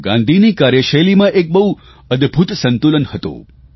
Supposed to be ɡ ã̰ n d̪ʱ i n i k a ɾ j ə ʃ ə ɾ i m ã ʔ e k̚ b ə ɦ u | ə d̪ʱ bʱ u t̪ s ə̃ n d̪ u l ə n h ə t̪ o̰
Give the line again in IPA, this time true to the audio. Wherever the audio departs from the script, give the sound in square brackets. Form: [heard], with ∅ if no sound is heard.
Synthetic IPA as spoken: ɡ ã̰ n d̪ʱ i n i k a ɾ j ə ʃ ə [l] i m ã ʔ e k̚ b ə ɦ u | ə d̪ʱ bʱ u t̪ s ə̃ n [t̪] u l ə n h ə t̪ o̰